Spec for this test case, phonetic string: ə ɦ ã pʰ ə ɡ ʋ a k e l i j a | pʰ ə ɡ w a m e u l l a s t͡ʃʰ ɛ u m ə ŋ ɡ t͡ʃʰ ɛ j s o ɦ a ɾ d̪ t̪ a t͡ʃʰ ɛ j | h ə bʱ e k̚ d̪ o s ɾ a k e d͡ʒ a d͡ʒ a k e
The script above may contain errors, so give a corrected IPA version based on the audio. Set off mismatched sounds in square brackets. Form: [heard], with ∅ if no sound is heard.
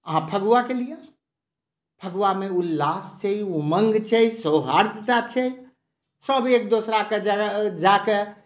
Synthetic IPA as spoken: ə ɦ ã pʰ ə ɡ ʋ a k e l i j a | pʰ ə ɡ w a m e u l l a s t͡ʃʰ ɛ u m ə ŋ ɡ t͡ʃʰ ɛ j s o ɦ a ɾ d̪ t̪ a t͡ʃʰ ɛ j | [s] ə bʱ e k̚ d̪ o s ɾ a k e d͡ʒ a d͡ʒ a k e